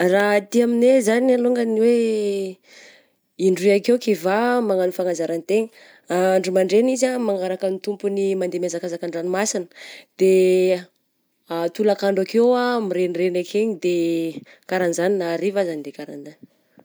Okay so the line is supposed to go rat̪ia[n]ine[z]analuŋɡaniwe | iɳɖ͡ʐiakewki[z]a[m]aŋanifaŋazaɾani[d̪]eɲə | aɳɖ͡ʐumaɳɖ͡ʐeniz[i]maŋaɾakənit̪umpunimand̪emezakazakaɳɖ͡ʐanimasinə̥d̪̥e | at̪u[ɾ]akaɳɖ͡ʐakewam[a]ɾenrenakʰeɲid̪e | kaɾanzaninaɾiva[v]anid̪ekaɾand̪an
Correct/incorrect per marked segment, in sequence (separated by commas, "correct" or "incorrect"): incorrect, correct, incorrect, correct, incorrect, incorrect, incorrect, incorrect, incorrect